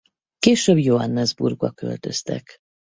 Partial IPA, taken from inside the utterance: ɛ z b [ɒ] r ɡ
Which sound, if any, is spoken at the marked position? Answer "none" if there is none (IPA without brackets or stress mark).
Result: u